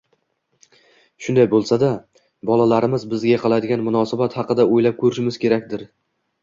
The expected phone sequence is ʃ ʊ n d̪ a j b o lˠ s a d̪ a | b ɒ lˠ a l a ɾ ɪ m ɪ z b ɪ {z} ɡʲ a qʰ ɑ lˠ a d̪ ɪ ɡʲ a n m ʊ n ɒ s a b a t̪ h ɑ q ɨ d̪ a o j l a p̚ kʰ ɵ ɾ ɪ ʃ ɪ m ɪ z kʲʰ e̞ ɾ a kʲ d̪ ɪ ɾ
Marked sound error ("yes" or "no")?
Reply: no